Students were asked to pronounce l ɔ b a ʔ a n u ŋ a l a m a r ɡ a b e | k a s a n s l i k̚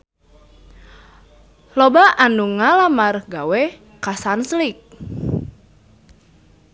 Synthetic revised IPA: l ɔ b a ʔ a n u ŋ a l a m a r ɡ a w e | k a s a n s l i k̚